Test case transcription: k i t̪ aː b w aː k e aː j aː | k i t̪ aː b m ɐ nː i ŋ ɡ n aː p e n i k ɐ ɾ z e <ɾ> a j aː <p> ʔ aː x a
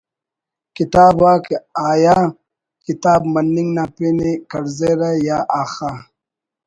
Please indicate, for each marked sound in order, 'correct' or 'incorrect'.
correct, incorrect: none

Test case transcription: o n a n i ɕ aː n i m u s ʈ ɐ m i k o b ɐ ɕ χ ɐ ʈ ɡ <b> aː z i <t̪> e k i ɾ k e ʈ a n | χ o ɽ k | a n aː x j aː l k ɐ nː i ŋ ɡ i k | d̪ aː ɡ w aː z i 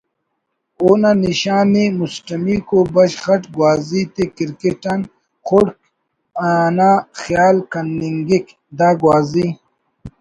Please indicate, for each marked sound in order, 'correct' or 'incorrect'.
incorrect: w, correct

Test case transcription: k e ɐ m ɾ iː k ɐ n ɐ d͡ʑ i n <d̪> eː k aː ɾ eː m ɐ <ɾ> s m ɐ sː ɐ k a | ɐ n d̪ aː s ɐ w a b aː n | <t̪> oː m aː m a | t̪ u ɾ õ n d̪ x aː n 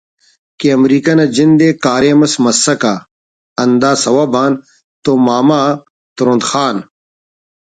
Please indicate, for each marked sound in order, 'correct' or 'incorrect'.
correct, incorrect: none, correct

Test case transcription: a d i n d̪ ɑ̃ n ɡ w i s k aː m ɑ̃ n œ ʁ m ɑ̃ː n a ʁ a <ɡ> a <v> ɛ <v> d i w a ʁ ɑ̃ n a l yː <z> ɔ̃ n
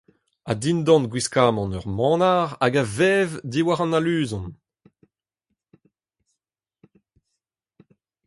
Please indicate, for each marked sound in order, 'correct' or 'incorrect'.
correct, correct, correct, correct

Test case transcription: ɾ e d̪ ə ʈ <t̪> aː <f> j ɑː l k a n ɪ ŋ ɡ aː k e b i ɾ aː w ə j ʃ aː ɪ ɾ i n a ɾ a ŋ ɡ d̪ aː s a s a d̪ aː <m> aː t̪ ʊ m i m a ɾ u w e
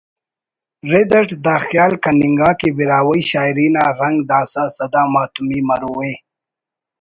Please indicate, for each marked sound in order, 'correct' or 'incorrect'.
incorrect: d̪, incorrect: x, correct

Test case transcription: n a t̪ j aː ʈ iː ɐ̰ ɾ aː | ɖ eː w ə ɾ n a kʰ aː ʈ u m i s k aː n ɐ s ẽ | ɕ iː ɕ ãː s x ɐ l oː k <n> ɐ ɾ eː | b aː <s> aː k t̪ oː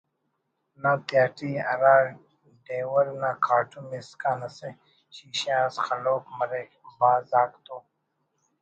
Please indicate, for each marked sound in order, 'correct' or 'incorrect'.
incorrect: m, incorrect: z

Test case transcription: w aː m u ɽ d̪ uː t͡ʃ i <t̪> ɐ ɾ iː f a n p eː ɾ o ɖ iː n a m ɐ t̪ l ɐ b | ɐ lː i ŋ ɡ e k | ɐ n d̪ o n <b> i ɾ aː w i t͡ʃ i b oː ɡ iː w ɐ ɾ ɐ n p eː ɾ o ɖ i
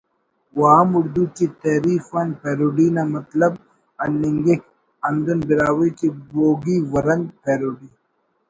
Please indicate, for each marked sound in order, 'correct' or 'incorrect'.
correct, correct

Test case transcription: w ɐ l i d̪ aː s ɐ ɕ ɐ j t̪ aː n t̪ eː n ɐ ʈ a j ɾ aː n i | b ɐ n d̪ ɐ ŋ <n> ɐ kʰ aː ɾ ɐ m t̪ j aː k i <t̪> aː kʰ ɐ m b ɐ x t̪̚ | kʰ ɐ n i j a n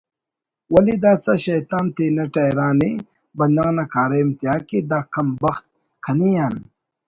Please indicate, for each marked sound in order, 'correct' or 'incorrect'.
correct, incorrect: d̪

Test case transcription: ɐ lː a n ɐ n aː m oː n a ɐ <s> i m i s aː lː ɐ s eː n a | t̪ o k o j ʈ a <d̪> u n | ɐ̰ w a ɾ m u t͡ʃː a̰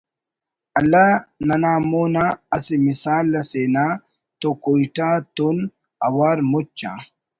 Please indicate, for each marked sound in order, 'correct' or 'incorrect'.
correct, incorrect: t̪

